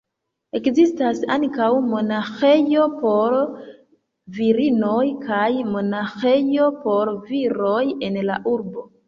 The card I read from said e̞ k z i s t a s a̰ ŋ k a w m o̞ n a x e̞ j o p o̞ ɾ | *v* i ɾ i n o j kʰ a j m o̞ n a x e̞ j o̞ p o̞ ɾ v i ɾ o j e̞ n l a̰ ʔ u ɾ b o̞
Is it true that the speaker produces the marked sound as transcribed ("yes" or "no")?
yes